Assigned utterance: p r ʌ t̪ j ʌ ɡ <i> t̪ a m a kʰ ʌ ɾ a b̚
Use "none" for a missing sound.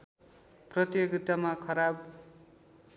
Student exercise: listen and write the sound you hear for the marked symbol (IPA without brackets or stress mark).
i